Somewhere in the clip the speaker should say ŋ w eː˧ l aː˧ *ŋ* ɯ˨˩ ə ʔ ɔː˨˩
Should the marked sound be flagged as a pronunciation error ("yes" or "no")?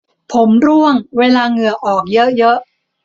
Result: no